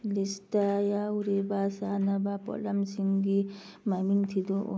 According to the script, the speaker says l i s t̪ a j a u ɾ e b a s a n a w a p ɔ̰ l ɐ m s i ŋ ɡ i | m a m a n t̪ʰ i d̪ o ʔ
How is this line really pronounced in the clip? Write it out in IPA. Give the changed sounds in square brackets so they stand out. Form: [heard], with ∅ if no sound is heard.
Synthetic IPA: l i s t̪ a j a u ɾ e b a s a n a [b] a p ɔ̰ l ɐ m s i ŋ ɡ i | m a m [i] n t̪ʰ i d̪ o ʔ